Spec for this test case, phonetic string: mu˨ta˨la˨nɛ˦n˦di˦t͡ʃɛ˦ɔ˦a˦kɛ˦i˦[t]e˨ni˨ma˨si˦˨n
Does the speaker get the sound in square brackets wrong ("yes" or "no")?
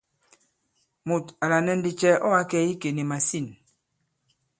yes